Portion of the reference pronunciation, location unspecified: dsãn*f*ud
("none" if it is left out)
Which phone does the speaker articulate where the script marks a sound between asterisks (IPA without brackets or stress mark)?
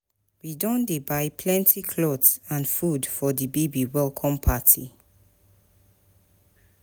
f